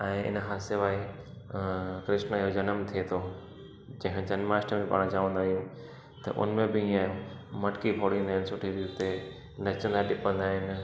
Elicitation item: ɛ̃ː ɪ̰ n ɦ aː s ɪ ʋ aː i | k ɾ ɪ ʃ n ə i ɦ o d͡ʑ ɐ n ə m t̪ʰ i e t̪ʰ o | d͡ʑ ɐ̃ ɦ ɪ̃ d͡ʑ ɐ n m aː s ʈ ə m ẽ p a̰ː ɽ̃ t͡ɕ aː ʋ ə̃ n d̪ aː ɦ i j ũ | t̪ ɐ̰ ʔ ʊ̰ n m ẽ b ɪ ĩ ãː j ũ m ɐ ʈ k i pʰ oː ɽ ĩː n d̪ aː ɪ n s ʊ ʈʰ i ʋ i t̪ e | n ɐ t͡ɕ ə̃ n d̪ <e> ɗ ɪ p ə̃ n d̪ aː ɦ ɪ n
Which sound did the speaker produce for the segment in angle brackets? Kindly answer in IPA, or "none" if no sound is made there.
a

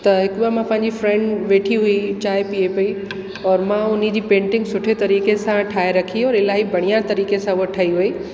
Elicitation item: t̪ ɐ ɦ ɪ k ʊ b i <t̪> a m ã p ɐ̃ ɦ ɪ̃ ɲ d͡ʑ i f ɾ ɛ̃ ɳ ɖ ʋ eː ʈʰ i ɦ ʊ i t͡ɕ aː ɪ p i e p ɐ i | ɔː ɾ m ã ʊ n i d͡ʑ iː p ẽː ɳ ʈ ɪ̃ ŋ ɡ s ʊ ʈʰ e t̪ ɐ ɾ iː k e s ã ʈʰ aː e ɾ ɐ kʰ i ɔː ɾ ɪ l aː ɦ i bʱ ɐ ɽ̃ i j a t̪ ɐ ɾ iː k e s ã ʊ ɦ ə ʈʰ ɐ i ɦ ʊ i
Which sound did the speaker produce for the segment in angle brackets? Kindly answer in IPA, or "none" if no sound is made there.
none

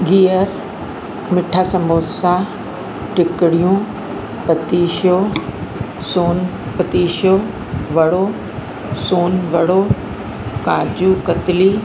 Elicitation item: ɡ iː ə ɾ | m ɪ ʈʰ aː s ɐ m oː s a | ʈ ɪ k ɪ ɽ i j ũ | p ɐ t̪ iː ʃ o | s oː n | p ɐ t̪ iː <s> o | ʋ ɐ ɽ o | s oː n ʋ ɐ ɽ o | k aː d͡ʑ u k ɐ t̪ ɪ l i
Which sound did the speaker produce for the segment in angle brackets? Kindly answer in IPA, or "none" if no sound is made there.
ʃ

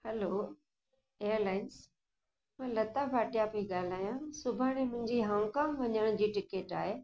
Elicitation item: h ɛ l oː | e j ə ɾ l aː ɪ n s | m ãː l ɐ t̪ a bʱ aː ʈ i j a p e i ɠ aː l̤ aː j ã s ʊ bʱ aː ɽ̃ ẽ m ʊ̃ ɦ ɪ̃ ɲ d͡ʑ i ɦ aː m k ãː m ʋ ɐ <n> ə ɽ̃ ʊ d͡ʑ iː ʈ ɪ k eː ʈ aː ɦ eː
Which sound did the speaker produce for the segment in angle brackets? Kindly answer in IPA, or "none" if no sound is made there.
ɲ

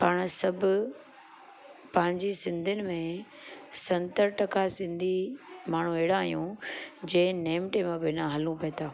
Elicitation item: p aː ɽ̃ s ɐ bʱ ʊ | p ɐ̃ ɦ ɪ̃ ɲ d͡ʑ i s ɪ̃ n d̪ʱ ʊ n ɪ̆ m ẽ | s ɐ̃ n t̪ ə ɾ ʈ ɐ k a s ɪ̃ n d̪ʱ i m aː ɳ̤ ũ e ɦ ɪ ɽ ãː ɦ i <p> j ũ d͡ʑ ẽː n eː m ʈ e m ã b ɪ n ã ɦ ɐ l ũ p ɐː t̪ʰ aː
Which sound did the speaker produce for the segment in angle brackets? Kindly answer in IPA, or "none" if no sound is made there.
none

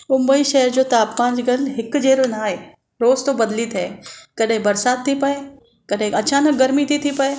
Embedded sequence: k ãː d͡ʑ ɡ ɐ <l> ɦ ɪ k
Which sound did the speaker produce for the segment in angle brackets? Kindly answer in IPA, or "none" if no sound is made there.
l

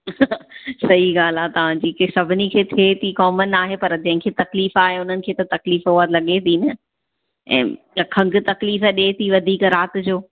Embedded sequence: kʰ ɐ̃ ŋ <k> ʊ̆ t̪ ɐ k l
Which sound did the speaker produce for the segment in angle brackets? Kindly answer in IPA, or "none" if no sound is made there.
ɡ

